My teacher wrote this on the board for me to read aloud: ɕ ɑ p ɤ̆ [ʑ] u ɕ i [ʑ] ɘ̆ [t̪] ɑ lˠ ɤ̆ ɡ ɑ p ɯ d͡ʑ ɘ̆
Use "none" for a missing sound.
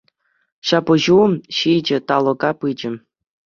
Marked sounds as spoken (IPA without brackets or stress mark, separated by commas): ʑ, d͡ʑ, t̪